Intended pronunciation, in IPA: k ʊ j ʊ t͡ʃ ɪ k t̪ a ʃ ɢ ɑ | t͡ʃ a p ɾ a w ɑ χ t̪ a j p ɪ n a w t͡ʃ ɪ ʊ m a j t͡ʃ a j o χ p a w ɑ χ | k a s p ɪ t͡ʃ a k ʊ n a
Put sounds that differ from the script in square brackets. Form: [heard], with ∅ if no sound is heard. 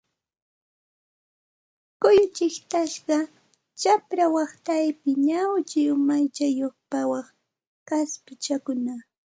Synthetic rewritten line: k ʊ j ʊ t͡ʃ ɪ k t̪ a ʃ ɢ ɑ | t͡ʃ a p ɾ a w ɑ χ t̪ a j p ɪ [ɲ] a w t͡ʃ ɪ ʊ m a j t͡ʃ a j o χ p a w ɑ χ | k a s p ɪ t͡ʃ a k ʊ n a